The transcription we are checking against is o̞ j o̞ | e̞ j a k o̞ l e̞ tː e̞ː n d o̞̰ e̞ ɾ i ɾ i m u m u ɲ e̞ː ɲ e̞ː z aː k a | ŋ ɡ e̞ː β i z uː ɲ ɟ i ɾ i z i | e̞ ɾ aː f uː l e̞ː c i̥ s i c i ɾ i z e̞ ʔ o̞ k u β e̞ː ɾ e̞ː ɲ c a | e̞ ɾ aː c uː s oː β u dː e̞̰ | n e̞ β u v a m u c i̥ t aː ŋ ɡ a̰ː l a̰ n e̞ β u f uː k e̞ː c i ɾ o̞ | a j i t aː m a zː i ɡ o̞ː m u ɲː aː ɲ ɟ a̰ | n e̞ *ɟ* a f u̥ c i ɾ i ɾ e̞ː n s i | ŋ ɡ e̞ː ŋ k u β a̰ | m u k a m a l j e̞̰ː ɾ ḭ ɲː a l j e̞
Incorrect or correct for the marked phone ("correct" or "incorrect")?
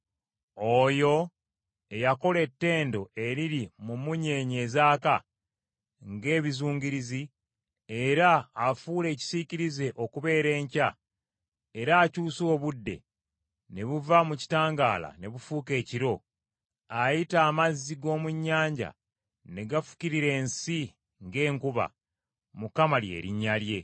incorrect